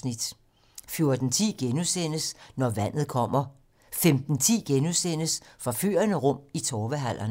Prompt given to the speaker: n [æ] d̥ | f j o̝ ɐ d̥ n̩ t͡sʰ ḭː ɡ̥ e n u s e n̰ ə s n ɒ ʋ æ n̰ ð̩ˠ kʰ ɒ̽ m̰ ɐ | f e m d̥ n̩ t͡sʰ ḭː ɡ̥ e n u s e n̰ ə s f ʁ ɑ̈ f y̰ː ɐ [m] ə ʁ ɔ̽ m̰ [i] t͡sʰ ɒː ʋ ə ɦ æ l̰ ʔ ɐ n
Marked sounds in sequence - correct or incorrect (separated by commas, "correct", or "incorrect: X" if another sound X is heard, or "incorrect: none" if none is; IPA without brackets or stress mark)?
incorrect: i, incorrect: n, correct